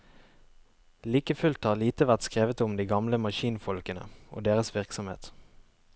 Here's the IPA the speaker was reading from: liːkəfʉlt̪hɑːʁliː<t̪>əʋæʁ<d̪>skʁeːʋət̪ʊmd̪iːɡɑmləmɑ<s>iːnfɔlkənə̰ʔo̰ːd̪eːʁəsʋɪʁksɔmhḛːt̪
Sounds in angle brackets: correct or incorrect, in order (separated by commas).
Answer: correct, incorrect, incorrect